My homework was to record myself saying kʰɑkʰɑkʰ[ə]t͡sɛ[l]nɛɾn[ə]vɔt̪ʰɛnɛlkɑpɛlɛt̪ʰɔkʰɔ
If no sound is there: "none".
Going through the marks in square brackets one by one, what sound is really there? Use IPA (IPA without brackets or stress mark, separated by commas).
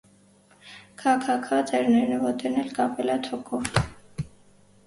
ɑ, ɾ, ə